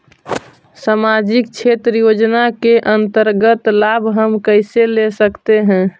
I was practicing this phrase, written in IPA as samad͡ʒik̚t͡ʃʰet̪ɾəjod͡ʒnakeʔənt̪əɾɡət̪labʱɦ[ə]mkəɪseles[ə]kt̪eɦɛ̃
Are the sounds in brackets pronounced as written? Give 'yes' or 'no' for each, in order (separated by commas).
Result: yes, yes